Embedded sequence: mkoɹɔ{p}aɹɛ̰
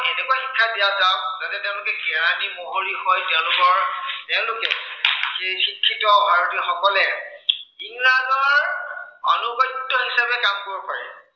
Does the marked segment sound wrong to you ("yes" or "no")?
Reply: no